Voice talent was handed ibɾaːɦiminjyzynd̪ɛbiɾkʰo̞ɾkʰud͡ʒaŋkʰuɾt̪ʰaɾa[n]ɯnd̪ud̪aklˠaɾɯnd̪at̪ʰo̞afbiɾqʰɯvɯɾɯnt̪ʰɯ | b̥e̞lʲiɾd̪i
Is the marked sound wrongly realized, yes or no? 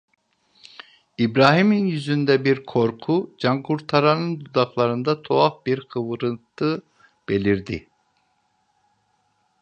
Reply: no